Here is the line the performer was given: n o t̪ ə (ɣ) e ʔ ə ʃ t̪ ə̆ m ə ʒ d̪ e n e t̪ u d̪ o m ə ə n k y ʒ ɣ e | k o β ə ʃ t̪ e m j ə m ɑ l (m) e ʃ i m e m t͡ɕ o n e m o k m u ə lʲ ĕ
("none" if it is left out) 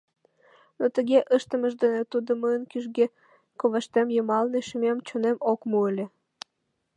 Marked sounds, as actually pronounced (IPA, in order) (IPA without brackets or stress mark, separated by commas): ɣ, n